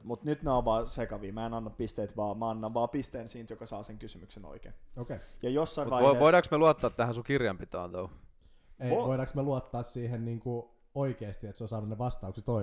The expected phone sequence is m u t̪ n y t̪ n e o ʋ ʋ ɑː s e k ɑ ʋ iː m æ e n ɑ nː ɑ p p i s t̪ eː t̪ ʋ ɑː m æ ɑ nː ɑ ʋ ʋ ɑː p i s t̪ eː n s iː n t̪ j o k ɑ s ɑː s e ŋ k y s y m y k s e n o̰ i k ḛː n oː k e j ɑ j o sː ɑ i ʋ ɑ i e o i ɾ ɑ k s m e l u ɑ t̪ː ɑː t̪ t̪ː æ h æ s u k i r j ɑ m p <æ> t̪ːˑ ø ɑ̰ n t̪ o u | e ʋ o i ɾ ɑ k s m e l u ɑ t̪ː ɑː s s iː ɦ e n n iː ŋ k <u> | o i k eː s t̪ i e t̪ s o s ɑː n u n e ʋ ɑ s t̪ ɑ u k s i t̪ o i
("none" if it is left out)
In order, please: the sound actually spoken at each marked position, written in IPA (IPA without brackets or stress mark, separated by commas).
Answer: i, u